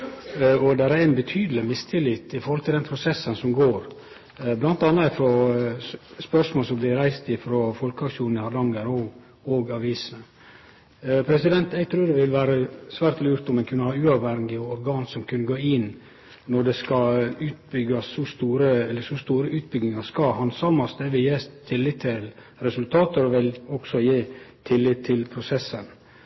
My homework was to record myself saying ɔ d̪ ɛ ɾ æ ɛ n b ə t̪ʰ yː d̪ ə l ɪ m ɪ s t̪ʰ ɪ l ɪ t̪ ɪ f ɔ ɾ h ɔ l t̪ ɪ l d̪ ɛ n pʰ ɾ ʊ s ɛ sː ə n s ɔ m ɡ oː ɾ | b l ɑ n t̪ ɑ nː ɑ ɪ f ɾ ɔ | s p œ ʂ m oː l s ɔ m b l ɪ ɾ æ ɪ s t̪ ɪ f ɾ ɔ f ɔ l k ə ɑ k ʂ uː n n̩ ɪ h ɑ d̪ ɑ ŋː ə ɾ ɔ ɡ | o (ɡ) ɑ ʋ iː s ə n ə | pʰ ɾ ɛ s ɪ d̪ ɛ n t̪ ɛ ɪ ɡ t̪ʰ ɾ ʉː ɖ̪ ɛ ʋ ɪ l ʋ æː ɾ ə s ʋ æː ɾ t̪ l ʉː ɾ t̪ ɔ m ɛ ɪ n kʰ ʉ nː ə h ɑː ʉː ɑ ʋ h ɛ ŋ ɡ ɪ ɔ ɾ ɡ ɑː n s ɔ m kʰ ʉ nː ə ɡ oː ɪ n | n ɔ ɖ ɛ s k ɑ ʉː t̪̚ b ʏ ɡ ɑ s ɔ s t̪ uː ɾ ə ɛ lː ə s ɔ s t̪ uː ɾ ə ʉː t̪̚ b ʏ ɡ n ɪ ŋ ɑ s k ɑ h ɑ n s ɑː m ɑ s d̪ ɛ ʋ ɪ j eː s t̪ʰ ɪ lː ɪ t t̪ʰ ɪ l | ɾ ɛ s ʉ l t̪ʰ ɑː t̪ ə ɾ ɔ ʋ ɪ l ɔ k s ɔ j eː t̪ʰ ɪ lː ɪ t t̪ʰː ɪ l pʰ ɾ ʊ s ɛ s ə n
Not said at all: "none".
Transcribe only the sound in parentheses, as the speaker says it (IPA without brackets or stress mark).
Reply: ɡ